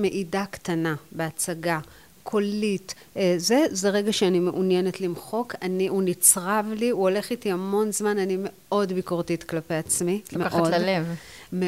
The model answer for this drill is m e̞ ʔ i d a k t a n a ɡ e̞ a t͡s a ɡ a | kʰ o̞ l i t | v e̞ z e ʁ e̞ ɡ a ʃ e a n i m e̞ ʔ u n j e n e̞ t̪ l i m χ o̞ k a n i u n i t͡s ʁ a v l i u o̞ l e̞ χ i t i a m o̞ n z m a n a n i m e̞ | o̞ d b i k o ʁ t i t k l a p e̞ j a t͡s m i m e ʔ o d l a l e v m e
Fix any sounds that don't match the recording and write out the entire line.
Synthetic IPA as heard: m e̞ ʔ i d a k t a n a b e̞ a t͡s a ɡ a | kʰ o̞ l i t | z e̞ z e ʁ e̞ ɡ a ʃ e a n i m e̞ ʔ u n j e n e̞ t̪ l i m χ o̞ k a n i u n i t͡s ʁ a v l i u o̞ l e̞ χ i t i a m o̞ n z m a n a n i m e̞ | o̞ d b i k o ʁ t i t k l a p e̞ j a t͡s m i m e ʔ o d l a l e v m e